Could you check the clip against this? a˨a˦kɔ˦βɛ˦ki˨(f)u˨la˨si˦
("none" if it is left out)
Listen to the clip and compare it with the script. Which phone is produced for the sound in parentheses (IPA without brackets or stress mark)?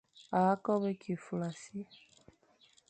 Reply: f